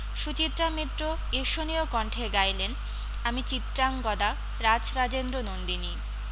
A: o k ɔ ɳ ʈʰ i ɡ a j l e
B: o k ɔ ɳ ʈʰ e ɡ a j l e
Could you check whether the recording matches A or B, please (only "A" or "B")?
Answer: B